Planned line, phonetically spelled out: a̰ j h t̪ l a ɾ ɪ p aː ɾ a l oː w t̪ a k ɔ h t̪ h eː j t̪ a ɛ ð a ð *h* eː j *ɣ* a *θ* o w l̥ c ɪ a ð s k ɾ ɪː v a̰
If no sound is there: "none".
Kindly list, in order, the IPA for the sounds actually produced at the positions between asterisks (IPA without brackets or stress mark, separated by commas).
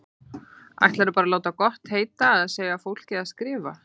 s, ɣ, f